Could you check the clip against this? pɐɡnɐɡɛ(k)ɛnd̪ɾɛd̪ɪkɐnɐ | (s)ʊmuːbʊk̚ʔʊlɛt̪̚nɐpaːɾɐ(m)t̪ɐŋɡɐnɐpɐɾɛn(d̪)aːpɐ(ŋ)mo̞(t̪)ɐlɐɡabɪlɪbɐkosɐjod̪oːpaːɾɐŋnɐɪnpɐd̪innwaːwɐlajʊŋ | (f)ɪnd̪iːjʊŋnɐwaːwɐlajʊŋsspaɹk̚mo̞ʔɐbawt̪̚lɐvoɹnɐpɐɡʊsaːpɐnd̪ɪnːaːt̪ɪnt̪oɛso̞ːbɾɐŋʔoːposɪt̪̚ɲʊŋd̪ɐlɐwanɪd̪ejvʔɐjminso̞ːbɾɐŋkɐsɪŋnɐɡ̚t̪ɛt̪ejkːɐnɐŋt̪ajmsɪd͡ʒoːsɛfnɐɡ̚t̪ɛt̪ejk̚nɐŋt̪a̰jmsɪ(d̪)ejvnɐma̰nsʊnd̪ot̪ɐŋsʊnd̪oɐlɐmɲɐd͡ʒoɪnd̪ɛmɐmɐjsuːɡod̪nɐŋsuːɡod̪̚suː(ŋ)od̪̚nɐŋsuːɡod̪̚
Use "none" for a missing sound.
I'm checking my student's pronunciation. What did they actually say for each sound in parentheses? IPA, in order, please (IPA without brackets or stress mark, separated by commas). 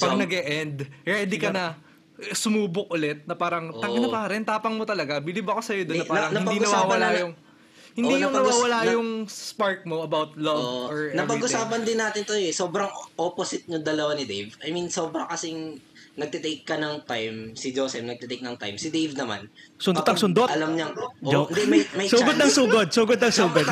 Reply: ʔ, s, ŋ, t̪, ŋ, t̪, h, d̪, ɡ